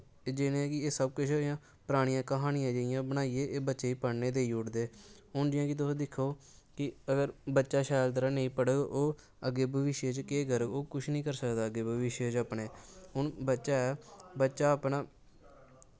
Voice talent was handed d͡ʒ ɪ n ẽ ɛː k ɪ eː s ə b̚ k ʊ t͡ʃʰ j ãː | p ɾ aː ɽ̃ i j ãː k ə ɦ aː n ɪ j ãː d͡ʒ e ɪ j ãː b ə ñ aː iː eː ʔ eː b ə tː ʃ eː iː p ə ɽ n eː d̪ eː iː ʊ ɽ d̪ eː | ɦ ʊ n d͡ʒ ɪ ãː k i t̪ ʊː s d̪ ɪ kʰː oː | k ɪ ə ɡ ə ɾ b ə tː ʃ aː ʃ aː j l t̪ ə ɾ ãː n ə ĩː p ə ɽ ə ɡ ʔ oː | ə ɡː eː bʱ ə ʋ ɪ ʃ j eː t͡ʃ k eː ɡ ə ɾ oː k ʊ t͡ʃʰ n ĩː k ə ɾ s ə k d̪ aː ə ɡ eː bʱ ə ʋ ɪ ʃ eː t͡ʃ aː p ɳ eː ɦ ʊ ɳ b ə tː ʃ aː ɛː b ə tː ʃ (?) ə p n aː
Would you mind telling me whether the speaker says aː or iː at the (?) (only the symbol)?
aː